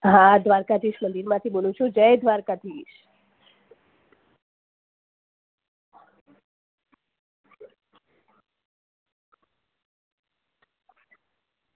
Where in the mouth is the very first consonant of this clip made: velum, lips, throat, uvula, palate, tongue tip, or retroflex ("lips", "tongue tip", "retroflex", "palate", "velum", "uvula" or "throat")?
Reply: throat